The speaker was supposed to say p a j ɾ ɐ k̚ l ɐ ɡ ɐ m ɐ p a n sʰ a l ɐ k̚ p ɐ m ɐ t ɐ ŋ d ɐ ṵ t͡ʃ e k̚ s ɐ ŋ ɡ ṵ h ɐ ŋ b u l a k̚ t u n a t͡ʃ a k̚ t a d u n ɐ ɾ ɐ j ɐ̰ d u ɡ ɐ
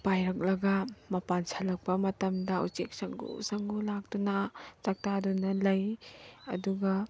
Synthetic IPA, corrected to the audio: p a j ɾ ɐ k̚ l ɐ ɡ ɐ m ɐ p a n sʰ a l ɐ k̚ p ɐ m ɐ t ɐ m d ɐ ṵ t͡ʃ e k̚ s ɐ ŋ ɡ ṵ s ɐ ŋ ɡ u l a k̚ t u n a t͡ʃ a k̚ t a d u n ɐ l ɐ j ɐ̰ d u ɡ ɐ